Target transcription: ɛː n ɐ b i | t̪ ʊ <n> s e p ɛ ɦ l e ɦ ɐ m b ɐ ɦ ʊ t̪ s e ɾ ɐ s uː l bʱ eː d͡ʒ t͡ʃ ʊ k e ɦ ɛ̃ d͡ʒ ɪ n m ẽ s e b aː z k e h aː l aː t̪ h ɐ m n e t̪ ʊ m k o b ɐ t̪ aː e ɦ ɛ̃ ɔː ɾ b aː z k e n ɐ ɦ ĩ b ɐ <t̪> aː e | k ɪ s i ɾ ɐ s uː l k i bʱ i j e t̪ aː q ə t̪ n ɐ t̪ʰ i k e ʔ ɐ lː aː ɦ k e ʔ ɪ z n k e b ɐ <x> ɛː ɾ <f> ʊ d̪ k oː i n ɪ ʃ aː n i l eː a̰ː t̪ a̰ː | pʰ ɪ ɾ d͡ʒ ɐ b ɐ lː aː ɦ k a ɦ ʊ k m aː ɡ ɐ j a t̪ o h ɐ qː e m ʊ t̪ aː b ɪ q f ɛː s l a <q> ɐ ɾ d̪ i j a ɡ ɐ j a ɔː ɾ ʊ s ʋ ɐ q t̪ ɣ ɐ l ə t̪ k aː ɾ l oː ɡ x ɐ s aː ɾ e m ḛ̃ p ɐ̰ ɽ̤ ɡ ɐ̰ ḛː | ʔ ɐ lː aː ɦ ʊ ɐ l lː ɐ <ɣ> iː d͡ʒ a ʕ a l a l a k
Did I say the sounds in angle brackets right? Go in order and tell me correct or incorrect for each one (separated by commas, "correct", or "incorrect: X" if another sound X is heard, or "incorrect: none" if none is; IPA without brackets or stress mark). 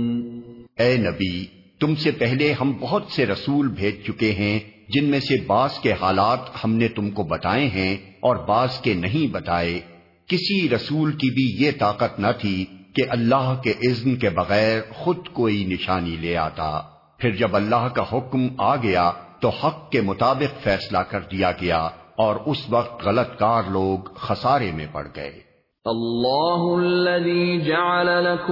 incorrect: m, correct, incorrect: ɣ, incorrect: x, incorrect: k, incorrect: ð